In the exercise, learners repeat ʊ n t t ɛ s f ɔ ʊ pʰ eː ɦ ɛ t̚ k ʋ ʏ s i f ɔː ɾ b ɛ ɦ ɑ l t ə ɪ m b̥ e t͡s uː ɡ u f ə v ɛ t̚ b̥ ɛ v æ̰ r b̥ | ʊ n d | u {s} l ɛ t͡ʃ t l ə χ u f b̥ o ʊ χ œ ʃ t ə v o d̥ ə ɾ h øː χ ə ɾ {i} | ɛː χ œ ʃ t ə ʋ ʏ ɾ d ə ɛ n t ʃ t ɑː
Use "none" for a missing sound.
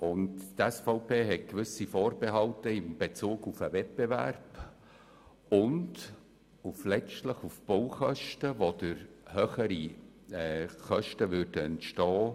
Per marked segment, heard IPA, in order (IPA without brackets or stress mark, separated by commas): f, i